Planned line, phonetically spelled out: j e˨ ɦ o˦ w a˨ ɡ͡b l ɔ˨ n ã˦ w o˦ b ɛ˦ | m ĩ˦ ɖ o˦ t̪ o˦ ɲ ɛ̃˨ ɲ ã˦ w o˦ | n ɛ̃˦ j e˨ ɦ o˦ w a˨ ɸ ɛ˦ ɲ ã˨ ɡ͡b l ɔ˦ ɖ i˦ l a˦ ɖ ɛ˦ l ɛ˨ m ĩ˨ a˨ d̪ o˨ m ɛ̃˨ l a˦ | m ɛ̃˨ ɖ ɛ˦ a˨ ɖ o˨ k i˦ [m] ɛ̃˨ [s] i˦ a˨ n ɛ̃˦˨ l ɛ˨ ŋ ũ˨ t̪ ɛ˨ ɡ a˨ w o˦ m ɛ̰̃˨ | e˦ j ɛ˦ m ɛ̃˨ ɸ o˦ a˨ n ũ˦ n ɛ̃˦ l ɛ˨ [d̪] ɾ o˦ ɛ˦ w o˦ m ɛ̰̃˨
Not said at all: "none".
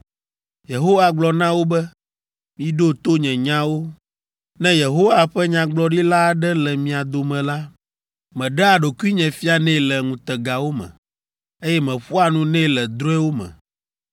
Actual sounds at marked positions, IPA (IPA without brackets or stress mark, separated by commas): ɲ, f, d̪